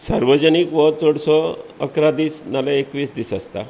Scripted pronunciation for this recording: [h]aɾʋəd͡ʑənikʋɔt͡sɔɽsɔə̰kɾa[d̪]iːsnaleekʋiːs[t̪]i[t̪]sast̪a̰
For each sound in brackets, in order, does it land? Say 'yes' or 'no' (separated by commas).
no, yes, no, no